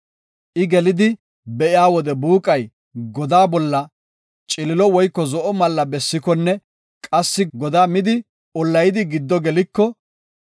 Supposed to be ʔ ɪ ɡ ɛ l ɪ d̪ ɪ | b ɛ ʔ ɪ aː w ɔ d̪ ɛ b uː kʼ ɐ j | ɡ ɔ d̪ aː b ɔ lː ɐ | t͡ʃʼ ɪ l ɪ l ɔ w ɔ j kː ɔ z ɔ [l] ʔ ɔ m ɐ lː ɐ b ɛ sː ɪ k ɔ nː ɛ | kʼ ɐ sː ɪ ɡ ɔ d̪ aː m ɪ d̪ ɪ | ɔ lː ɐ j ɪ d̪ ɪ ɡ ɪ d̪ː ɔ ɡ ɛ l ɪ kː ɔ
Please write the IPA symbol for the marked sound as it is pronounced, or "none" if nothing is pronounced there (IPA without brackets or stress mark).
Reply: none